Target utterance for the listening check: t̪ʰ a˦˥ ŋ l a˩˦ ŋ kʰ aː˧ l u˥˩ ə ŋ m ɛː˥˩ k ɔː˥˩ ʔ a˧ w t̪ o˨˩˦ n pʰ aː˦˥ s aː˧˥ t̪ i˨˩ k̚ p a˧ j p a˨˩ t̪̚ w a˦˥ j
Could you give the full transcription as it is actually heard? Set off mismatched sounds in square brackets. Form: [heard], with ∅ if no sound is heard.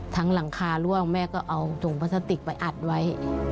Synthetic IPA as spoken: t̪ʰ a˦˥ ŋ l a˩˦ ŋ kʰ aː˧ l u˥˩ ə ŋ m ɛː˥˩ k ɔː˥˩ ʔ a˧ w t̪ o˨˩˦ [ŋ] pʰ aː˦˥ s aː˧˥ t̪ i˨˩ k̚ p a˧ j [ʔ] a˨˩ t̪̚ w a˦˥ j